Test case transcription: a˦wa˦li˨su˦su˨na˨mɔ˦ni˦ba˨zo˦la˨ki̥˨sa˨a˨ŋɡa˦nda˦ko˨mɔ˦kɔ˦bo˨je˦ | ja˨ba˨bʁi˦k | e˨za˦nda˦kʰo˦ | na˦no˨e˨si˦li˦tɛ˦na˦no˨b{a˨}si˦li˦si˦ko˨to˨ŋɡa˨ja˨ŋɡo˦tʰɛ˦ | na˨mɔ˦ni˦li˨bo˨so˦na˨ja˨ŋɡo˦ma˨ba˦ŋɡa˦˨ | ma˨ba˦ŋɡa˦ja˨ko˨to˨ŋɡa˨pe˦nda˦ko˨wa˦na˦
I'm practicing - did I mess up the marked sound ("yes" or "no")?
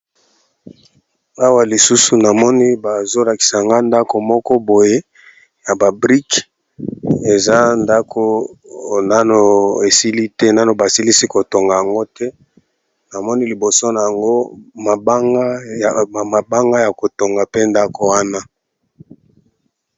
no